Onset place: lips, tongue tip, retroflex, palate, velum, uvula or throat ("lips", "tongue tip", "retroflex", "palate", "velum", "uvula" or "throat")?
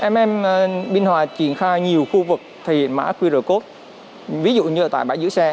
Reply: throat